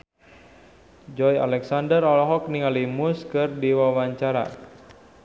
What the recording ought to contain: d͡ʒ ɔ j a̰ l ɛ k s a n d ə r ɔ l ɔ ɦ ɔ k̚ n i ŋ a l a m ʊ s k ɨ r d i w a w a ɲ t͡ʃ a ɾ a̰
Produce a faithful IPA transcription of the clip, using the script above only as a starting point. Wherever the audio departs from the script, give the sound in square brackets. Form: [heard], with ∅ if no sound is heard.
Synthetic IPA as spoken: d͡ʒ ɔ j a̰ l ɛ k s a n d ə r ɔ l ɔ ɦ ɔ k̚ n i ŋ a l [i] m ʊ s k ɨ r d i w a w a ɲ t͡ʃ a ɾ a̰